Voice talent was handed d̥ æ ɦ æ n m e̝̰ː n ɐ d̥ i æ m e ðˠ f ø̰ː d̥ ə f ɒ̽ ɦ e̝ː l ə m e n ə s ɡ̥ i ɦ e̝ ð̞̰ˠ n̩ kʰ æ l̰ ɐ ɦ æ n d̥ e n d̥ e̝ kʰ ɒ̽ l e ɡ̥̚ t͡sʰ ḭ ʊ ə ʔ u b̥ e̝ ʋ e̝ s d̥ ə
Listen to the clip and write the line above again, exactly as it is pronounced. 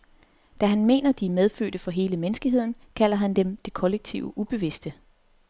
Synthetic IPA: d̥ æ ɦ æ n m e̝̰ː n ɐ d̥ i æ m e ðˠ f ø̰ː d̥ ə f ɒ̽ ɦ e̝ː l ə m e n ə s ɡ̥ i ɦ e̝ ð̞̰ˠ n̩ kʰ æ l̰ ɐ ɦ æ n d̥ e m d̥ e̝ kʰ ɒ̽ l e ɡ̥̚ t͡sʰ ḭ ʊ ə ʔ u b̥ e̝ ʋ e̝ s d̥ ə